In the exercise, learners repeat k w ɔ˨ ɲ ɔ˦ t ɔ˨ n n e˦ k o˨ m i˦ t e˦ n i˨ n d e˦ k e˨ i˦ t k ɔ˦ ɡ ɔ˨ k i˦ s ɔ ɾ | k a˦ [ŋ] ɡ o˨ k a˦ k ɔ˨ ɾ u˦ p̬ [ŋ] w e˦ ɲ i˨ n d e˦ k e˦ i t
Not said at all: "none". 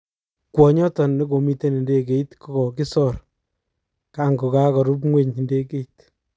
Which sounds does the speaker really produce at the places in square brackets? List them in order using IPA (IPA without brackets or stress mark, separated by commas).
ŋ, ŋ